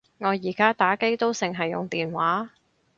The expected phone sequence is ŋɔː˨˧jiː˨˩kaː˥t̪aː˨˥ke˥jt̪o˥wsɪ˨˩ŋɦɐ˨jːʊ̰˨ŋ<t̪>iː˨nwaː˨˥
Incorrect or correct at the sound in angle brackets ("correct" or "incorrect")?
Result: correct